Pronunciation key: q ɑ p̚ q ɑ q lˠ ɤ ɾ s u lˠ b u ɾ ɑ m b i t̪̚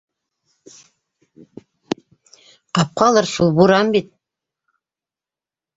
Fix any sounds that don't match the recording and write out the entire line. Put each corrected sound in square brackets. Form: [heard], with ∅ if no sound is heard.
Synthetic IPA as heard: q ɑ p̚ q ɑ [∅] lˠ ɤ ɾ s u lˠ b u ɾ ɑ m b i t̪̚